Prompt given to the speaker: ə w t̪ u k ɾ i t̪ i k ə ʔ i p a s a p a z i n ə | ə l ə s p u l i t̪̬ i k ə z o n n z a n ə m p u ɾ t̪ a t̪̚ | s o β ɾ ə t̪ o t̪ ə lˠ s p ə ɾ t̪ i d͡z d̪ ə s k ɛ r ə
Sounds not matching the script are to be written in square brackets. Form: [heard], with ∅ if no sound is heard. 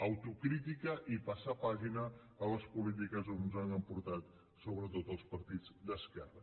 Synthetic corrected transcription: ə w t̪ u k ɾ i t̪ i k ə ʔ i p a s a p a [ʒ] i n ə | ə l ə s p u l i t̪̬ i k ə z o n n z a n ə m p u ɾ t̪ a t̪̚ | s o β ɾ ə t̪ o t̪ ə lˠ s p ə ɾ t̪ i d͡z d̪ ə s k ɛ r ə